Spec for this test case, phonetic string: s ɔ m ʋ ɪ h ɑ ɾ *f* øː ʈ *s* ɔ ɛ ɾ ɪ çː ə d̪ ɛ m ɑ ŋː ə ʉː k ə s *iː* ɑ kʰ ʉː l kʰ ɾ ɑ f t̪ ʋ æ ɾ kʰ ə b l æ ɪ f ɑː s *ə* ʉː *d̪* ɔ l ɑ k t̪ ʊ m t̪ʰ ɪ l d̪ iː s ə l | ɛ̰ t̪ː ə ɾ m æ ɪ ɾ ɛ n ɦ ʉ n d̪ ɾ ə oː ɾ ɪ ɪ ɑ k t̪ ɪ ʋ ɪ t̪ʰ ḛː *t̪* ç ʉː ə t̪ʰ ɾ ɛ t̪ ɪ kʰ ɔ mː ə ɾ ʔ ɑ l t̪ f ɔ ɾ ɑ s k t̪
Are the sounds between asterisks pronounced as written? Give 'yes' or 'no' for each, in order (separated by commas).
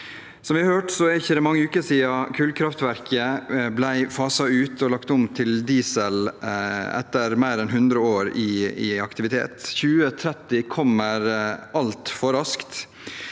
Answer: no, yes, yes, no, no, yes